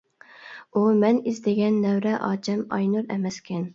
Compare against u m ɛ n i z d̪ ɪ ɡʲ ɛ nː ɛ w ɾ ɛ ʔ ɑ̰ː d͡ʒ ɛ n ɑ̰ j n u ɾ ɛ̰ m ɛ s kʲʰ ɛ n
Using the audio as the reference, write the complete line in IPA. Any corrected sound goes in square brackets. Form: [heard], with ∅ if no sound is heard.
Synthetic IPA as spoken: u m ɛ n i z d̪ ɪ ɡʲ ɛ nː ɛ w ɾ ɛ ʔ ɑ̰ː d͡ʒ ɛ [m] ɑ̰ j n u ɾ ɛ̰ m ɛ s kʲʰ ɛ n